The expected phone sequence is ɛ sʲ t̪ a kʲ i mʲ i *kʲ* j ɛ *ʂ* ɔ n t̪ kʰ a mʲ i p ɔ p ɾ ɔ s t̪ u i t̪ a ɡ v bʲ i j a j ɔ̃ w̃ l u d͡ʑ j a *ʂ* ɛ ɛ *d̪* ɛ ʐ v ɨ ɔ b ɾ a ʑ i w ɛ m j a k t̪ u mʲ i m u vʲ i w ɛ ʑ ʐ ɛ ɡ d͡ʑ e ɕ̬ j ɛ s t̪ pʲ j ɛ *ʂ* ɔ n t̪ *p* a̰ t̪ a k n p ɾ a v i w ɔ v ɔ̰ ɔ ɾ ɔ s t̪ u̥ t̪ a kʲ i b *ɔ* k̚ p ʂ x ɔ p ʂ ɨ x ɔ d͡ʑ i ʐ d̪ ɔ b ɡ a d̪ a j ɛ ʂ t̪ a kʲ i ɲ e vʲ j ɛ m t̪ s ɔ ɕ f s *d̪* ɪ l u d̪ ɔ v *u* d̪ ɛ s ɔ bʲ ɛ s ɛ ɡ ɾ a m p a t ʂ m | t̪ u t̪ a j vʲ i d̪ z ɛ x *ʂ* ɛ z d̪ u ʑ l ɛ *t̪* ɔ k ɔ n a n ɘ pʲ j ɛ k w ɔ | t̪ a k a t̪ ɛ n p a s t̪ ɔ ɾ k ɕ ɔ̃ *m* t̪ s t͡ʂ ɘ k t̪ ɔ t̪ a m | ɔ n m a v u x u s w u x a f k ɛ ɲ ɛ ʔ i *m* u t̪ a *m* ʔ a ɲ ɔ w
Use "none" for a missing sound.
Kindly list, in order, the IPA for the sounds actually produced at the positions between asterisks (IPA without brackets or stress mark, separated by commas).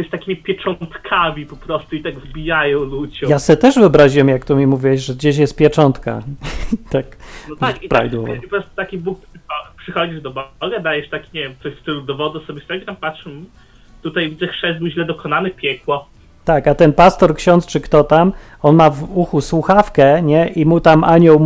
pʲ, t͡ʂ, s, t̪, t͡ʂ, k, u, t̪, ɔ, ʂ, d̪, n, m, m